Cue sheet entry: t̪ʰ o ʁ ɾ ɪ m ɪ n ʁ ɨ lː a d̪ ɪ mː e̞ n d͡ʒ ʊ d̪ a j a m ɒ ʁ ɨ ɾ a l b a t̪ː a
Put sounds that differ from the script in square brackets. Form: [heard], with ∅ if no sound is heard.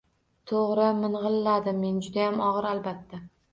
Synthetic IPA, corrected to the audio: t̪ʰ o ʁ ɾ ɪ m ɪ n ʁ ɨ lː a d̪ ɪ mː e̞ n d͡ʒ ʊ d̪ a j a m ɒ ʁ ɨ ɾ a l b a t̪ː a

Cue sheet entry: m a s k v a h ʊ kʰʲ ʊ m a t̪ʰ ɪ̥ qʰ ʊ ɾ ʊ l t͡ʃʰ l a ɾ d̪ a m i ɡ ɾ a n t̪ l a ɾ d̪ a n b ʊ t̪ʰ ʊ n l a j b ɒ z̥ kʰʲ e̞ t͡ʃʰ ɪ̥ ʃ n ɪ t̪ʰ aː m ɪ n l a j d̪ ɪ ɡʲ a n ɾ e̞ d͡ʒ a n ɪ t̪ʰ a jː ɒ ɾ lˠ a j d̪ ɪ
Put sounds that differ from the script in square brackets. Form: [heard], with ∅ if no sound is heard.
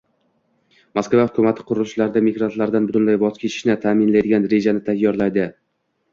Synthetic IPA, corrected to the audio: m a s k v a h ʊ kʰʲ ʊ m a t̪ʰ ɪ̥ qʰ ʊ ɾ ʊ l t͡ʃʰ l a ɾ d̪ a m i ɡ ɾ a n t̪ l a ɾ d̪ a n b ʊ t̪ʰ ʊ n l a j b ɒ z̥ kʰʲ e̞ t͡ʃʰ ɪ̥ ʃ n ɪ t̪ʰ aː m ɪ n l a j d̪ ɪ ɡʲ a n ɾ e̞ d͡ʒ a n ɪ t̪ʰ a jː ɒ ɾ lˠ a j d̪ ɪ

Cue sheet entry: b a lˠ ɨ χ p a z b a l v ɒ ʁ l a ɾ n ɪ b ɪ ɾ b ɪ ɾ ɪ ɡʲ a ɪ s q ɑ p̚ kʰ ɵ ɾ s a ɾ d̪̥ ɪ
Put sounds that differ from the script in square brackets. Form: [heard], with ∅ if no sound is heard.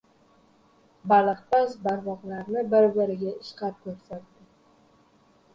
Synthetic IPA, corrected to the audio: b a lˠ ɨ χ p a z b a [ɾ] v ɒ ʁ l a ɾ n ɪ b ɪ ɾ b ɪ ɾ ɪ ɡʲ a ɪ [ʃ] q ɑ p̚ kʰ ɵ ɾ s a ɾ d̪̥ ɪ

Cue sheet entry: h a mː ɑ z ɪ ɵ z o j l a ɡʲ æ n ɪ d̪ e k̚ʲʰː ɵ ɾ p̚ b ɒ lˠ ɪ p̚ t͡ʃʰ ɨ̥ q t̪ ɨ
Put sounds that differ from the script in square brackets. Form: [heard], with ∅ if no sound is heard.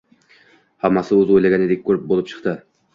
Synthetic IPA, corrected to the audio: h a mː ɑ [s] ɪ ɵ z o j l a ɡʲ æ n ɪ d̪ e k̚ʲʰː ɵ ɾ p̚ b [o] lˠ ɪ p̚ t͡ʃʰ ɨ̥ q t̪ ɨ

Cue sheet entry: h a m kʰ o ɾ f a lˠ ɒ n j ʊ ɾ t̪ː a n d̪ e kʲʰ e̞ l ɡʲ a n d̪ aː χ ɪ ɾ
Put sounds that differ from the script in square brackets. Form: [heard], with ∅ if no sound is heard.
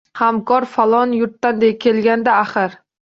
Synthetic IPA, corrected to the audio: h a m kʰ [ɒ] ɾ f a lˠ ɒ n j ʊ ɾ t̪ː a n d̪ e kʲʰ e̞ l ɡʲ a n d̪ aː χ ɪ ɾ

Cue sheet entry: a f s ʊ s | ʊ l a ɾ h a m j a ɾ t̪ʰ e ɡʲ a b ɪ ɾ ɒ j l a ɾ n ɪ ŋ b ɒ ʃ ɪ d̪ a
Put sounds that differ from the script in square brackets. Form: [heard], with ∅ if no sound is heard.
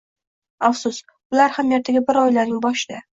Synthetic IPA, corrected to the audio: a f s ʊ s | ʊ l a ɾ h a m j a ɾ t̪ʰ [a] ɡʲ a b ɪ ɾ ɒ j l a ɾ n ɪ ŋ b ɒ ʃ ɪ d̪ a

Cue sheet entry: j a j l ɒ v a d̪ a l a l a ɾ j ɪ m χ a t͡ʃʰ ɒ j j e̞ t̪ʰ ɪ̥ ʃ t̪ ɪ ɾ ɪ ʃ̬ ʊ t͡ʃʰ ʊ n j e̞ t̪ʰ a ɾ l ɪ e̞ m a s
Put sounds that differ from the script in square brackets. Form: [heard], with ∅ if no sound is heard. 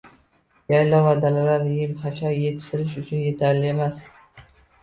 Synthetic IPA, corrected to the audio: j a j l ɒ v a d̪ a l a l a ɾ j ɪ m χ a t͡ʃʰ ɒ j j e̞ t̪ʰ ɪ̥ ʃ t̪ ɪ ɾ ɪ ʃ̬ ʊ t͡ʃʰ ʊ n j e̞ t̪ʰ a ɾ l ɪ e̞ m a s

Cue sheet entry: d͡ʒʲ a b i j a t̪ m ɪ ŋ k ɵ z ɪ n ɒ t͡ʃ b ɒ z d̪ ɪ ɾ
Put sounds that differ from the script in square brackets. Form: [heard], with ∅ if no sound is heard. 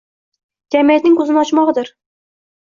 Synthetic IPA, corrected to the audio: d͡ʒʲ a [m] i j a t̪ [n] ɪ ŋ k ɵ z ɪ n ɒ t͡ʃ [m] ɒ [ʁ] d̪ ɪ ɾ

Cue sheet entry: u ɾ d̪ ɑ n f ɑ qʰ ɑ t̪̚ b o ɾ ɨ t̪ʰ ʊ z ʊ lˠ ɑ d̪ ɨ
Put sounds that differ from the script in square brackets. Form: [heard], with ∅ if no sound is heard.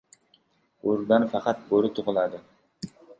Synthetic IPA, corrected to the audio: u ɾ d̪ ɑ n f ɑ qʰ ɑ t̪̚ b o ɾ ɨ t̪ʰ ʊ [ʁ] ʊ lˠ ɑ d̪ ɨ

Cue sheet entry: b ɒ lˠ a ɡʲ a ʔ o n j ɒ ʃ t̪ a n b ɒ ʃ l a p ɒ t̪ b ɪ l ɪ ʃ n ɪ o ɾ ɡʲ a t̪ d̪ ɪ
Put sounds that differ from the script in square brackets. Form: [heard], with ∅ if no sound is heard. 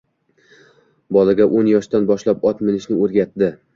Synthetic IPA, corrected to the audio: b ɒ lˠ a ɡʲ a ʔ o n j ɒ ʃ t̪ a n b ɒ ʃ l a p ɒ t̪ [m] ɪ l ɪ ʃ n ɪ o ɾ ɡʲ a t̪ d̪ ɪ

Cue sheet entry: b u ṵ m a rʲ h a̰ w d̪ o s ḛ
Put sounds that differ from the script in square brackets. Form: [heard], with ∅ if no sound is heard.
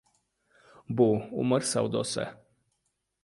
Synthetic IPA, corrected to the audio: b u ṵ m [ə] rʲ [s] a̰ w d̪ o s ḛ

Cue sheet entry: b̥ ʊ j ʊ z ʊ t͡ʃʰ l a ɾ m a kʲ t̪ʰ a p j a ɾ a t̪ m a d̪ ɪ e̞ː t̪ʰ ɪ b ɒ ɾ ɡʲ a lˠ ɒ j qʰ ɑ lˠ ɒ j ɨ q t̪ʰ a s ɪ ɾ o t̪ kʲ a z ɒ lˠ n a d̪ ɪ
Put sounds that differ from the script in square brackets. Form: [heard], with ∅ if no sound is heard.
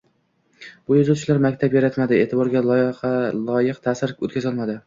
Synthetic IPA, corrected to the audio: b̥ ʊ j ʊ z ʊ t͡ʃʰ l a ɾ m a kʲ t̪ʰ a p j a ɾ a t̪ m a d̪ ɪ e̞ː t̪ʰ ɪ b ɒ ɾ ɡʲ a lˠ ɒ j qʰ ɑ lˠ ɒ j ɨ q t̪ʰ a s ɪ ɾ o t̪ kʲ a z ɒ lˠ [m] a d̪ ɪ

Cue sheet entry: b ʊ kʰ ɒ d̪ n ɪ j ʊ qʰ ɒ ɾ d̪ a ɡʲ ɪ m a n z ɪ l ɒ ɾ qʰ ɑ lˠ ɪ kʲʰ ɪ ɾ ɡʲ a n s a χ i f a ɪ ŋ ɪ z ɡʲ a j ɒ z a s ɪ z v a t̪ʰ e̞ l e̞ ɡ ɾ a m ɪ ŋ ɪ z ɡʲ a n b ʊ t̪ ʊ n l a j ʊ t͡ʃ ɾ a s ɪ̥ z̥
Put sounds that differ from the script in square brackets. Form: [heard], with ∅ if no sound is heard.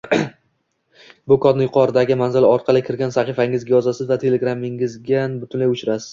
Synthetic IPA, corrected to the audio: b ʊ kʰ ɒ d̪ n ɪ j ʊ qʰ ɒ ɾ d̪ a ɡʲ ɪ m a n z ɪ l ɒ ɾ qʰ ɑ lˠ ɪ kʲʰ ɪ ɾ ɡʲ a n s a χ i f a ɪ ŋ ɪ z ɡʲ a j ɒ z a s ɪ z v a t̪ʰ e̞ l e̞ ɡ ɾ a m ɪ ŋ ɪ z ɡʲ a n b ʊ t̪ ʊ n l a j ʊ t͡ʃ ɾ a s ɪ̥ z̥

